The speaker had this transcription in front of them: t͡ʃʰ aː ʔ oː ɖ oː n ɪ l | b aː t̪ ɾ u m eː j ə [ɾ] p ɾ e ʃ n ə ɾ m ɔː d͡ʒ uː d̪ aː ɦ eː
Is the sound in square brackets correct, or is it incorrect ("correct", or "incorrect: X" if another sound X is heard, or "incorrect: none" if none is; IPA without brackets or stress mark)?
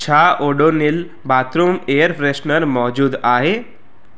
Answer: correct